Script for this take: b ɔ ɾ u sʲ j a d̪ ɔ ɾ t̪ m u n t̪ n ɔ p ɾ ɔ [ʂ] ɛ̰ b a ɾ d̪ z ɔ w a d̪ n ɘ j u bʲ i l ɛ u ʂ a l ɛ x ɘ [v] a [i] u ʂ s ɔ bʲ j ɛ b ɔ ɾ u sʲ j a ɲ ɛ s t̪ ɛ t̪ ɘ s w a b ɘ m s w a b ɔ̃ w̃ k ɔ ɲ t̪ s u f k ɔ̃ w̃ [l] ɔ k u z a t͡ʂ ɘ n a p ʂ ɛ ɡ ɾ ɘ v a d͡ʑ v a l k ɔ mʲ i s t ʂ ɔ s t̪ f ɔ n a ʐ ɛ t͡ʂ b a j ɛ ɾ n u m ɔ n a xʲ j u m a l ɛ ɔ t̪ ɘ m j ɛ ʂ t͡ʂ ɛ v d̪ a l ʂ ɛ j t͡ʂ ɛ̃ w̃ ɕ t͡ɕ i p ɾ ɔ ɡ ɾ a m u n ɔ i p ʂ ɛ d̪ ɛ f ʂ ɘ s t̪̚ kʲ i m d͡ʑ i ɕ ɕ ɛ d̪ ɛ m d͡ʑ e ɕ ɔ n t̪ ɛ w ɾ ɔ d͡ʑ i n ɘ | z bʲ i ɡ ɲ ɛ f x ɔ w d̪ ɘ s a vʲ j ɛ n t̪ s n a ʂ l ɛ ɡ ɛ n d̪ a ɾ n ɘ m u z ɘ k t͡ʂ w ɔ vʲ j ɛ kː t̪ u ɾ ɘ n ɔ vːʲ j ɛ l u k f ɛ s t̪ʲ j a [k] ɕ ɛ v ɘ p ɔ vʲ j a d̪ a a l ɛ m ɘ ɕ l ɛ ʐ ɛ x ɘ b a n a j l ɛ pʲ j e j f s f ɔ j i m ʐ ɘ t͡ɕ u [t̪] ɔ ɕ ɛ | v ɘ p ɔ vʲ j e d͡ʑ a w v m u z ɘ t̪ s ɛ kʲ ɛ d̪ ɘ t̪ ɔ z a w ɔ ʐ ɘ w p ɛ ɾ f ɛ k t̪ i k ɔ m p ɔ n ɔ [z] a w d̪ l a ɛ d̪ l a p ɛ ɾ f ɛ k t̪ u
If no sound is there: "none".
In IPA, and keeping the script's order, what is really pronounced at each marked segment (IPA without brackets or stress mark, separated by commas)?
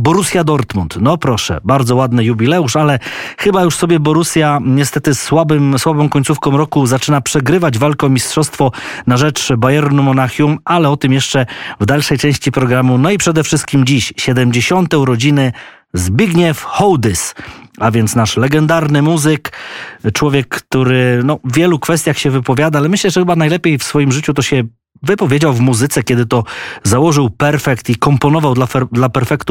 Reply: ʂ, b, j, ɾ, x, t̪, v